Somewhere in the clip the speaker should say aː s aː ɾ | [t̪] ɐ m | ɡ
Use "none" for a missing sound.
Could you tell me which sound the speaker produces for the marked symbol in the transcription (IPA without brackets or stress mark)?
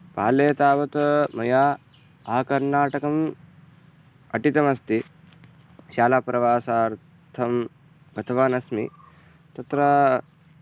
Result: t̪ʰ